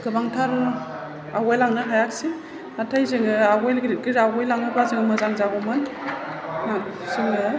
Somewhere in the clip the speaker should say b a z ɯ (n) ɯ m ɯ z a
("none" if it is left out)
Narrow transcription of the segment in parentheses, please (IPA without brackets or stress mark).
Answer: ŋ